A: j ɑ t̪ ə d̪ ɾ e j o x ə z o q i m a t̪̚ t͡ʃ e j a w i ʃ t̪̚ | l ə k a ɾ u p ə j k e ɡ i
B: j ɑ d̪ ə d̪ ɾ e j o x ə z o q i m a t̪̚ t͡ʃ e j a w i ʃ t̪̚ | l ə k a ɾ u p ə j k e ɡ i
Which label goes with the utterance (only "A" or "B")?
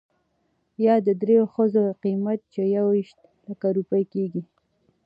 B